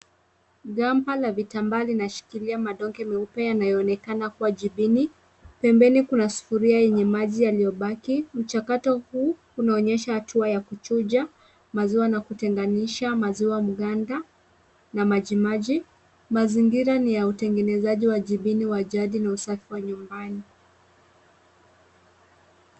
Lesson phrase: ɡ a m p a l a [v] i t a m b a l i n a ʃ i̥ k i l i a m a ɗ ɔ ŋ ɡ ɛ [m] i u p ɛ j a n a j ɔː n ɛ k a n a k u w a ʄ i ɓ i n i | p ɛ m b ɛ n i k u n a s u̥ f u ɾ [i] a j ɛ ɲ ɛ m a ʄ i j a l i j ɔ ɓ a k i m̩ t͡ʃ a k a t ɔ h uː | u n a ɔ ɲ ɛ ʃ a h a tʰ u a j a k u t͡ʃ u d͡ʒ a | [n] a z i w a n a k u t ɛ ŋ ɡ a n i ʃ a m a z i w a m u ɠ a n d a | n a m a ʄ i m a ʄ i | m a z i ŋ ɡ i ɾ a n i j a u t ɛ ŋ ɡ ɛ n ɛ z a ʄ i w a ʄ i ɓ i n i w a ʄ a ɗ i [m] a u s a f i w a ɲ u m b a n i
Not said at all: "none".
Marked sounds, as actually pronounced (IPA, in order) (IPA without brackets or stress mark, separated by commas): v, m, i, m, n